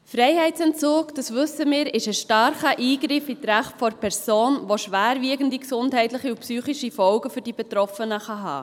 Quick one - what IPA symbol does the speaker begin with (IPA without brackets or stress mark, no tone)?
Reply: f